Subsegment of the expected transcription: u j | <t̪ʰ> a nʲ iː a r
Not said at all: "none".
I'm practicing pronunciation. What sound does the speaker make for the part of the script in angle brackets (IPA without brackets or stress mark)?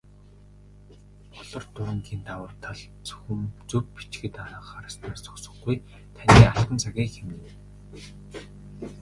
t̪ʰ